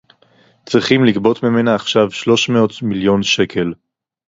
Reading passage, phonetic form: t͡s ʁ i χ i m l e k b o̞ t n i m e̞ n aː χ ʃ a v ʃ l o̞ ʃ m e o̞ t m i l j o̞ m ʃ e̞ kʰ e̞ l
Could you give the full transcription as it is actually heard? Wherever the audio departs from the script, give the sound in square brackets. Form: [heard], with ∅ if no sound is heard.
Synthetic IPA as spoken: t͡s ʁ i χ i m l [i] k b o̞ t [m] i m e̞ n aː χ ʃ a v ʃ l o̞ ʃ m e o̞ t m i l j o̞ [n] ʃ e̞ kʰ e̞ l